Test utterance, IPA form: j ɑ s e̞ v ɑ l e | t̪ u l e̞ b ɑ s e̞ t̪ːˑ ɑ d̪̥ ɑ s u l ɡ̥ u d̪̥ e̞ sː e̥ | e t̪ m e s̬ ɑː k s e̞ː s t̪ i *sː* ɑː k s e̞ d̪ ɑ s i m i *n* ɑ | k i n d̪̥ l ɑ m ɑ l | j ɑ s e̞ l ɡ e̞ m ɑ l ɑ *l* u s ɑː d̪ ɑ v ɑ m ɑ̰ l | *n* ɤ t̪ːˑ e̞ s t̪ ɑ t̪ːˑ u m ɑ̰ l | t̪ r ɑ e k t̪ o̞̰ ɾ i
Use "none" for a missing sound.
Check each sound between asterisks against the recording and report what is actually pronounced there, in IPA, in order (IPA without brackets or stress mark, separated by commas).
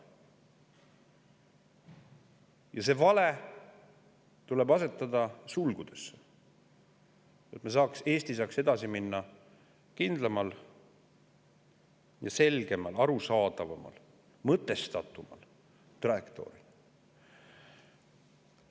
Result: s, nː, ɾ, m